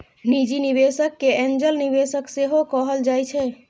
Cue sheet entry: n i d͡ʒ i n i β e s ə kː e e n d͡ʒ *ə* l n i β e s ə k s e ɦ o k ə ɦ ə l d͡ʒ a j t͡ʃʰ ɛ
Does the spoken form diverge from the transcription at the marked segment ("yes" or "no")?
no